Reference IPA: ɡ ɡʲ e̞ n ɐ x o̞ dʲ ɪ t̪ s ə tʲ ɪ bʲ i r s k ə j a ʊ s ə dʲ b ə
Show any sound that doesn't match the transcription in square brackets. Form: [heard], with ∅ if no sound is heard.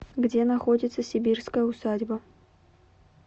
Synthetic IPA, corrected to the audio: ɡ [dʲ] e̞ n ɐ x o̞ dʲ ɪ t̪ s ə [sʲ] ɪ bʲ i r s k ə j [ə] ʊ s [a] dʲ b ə